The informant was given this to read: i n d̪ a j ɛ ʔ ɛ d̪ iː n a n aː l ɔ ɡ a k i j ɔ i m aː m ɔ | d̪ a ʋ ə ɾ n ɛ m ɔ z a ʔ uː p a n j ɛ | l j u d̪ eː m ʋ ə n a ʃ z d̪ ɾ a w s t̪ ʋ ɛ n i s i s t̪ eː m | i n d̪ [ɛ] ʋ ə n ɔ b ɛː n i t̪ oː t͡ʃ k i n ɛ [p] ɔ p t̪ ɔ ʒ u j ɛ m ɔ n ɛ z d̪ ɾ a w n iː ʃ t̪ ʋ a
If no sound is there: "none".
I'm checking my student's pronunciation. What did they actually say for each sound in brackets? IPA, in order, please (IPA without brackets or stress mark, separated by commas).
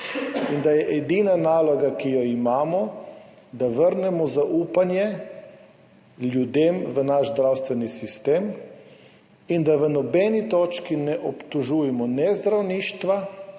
a, ʔ